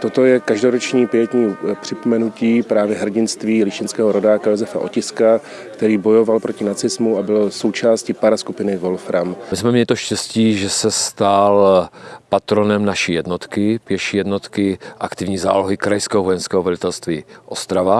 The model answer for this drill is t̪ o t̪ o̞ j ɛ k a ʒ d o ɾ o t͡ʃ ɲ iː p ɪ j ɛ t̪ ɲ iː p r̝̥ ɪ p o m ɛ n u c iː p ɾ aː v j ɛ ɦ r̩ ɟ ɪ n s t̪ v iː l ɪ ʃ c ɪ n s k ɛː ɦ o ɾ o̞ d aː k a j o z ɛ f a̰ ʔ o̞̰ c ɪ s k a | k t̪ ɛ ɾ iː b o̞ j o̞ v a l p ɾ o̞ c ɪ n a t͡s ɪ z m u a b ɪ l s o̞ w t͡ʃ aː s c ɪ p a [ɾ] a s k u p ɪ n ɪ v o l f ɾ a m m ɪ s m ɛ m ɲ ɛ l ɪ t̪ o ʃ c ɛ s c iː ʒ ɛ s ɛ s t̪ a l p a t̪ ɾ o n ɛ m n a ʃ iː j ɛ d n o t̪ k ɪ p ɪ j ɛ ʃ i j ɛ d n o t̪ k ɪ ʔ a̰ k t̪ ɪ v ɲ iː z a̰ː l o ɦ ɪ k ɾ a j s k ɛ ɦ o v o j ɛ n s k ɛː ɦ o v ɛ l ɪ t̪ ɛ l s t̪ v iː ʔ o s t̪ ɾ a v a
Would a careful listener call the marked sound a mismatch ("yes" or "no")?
no